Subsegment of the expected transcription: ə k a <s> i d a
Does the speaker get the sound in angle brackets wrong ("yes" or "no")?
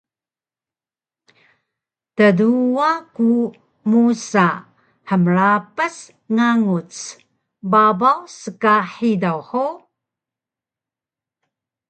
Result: yes